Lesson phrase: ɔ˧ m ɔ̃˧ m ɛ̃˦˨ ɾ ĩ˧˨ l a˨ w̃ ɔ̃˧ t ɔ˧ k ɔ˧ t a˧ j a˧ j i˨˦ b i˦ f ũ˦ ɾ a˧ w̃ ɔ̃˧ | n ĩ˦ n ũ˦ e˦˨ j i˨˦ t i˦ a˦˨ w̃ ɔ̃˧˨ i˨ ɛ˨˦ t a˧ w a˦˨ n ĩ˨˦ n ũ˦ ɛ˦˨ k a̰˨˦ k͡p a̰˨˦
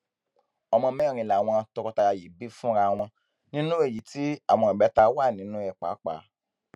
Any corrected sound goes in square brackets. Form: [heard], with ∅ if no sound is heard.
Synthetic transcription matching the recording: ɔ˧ m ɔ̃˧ m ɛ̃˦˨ ɾ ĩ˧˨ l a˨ w̃ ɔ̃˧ t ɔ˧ k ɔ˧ t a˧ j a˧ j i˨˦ b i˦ f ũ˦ ɾ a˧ w̃ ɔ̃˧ | n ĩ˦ n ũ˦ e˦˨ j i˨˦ t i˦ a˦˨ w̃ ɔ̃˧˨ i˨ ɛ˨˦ t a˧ w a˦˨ n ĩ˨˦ n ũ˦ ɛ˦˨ [k͡p] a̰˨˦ k͡p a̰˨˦